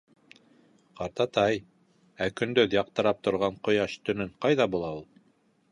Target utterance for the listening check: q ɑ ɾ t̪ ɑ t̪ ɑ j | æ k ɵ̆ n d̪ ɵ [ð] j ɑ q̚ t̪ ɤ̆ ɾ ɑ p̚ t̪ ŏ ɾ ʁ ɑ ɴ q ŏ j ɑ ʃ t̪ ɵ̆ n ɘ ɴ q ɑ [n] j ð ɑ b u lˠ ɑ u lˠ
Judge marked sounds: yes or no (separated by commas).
yes, no